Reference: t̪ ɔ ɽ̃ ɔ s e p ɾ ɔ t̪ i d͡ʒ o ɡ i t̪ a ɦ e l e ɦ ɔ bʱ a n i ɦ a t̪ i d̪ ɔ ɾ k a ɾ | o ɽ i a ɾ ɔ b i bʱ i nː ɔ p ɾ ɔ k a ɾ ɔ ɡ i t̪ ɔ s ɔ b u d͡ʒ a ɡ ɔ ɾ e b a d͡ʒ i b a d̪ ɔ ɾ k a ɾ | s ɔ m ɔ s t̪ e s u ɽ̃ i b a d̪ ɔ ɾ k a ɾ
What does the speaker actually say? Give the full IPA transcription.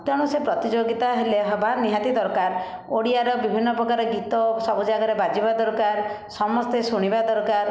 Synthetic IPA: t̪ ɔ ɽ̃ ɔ s e p ɾ ɔ t̪ i d͡ʒ o ɡ i t̪ a ɦ e l e ɦ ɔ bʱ a n i ɦ a t̪ i d̪ ɔ ɾ k a ɾ | o ɽ i a ɾ ɔ b i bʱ i nː ɔ p ɾ ɔ k a ɾ ɔ ɡ i t̪ ɔ s ɔ b u d͡ʒ a ɡ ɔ ɾ e b a d͡ʒ i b a d̪ ɔ ɾ k a ɾ | s ɔ m ɔ s t̪ e s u ɽ̃ i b a d̪ ɔ ɾ k a ɾ